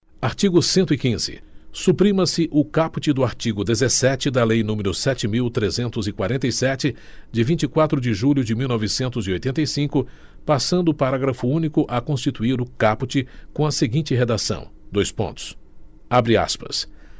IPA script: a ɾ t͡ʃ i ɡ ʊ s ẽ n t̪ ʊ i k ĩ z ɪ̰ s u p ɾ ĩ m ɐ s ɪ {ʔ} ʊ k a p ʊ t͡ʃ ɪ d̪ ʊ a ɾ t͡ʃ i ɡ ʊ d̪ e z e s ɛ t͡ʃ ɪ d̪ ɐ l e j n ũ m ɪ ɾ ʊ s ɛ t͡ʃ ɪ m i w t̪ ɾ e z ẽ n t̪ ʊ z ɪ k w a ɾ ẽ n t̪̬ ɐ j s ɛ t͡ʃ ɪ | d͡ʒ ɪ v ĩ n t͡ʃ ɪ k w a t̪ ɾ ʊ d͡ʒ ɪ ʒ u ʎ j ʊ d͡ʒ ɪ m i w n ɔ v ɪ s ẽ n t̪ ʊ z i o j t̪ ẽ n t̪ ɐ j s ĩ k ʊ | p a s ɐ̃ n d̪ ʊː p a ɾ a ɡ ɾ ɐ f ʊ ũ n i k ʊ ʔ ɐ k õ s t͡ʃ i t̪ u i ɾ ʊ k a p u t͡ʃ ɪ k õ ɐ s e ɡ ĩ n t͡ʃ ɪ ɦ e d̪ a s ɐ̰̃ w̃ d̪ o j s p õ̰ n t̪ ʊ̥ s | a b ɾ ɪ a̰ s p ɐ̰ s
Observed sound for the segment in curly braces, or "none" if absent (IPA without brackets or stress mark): ʔ